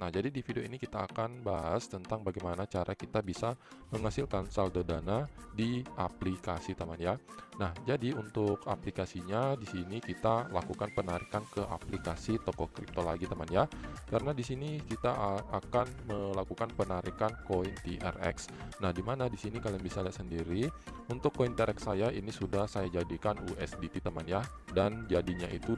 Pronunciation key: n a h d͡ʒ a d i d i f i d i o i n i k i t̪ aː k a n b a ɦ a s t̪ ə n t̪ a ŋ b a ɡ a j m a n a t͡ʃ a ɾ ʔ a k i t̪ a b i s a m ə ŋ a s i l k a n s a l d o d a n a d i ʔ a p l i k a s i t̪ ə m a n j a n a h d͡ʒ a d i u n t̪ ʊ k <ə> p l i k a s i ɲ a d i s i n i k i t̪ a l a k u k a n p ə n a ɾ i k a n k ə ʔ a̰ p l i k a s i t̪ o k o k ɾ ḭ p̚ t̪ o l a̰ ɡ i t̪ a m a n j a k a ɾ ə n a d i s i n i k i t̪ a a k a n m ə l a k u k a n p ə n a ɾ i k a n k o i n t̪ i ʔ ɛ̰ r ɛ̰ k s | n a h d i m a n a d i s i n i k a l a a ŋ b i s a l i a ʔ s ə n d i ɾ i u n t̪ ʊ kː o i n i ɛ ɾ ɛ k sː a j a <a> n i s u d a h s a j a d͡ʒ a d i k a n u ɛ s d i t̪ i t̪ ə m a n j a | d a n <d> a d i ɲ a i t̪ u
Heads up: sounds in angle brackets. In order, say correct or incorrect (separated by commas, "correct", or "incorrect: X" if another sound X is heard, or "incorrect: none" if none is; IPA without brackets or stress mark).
incorrect: a, incorrect: i, incorrect: d͡ʒ